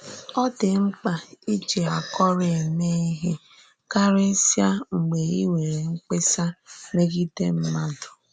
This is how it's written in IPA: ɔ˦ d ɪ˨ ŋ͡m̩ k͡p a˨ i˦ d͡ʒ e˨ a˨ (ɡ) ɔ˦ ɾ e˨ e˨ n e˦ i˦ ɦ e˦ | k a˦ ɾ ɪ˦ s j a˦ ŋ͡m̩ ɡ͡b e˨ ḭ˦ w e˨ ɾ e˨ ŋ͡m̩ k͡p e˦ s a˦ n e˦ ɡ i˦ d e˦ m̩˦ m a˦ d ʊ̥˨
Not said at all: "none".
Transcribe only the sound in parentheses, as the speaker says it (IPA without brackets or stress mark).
k